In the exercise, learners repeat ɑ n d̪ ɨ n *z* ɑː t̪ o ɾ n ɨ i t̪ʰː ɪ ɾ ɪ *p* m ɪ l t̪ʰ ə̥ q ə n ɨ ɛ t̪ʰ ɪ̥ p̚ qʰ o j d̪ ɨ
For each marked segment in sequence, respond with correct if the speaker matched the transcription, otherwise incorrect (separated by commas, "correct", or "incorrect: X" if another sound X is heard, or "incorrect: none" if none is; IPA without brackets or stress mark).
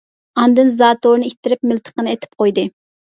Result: correct, correct